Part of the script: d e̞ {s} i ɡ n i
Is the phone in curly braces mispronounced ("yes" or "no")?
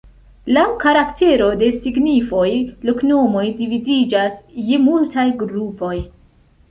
no